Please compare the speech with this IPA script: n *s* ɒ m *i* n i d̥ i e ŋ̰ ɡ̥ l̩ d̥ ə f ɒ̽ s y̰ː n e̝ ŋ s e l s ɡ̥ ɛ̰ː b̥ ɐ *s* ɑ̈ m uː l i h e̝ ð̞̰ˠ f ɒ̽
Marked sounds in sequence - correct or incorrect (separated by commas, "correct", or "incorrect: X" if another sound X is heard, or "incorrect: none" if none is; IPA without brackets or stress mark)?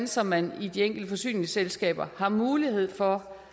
correct, incorrect: æ, incorrect: h